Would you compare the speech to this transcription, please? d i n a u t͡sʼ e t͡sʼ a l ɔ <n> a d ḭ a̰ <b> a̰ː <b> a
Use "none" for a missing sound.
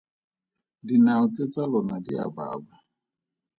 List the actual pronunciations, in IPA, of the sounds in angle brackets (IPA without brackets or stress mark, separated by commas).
n, b, b